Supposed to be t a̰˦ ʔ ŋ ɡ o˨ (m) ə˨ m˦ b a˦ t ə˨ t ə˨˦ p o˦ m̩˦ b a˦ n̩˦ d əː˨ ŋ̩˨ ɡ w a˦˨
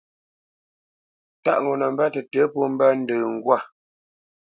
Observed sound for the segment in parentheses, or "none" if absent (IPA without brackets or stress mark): n